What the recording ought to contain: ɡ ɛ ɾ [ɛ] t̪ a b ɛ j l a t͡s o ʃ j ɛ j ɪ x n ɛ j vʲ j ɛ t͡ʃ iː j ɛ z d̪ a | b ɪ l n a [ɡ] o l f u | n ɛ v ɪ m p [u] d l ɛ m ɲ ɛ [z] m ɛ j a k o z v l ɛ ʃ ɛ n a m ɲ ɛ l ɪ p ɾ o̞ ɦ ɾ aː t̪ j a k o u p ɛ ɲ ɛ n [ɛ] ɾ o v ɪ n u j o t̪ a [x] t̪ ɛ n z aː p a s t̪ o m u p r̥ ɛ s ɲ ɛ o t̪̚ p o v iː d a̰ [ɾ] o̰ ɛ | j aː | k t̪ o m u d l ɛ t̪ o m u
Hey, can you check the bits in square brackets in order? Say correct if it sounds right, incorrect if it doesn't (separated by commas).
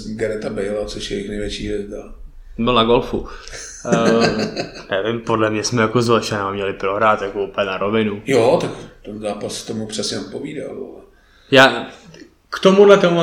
correct, correct, incorrect, incorrect, incorrect, incorrect, incorrect